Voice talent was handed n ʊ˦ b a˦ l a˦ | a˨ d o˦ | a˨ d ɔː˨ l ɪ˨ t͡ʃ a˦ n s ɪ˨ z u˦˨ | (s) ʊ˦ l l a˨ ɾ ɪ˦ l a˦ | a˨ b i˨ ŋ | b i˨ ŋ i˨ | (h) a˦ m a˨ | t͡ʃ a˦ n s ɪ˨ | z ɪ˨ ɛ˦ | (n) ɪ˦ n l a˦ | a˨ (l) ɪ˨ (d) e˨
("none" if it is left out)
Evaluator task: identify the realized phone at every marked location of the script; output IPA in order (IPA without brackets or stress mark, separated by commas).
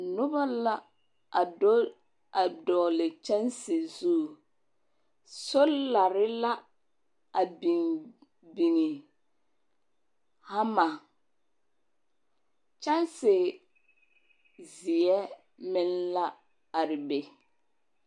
s, h, m, ɾ, b